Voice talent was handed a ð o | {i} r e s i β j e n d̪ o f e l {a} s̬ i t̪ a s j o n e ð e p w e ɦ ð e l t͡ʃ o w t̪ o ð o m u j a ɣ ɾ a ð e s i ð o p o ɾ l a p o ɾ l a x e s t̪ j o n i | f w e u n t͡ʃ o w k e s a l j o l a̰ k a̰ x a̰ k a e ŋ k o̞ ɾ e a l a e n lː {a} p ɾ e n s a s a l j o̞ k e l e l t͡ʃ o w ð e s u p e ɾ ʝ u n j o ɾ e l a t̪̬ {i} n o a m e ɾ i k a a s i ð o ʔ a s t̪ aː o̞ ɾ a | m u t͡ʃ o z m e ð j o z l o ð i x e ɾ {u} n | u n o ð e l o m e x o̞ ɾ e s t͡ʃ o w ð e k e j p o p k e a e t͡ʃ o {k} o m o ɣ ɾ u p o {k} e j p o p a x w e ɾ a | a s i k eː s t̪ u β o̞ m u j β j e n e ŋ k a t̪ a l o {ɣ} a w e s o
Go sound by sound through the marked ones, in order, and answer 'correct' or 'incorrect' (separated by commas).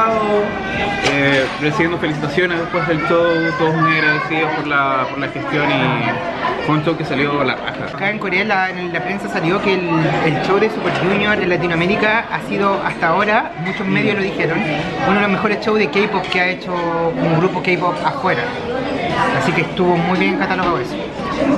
incorrect, incorrect, correct, correct, incorrect, correct, correct, correct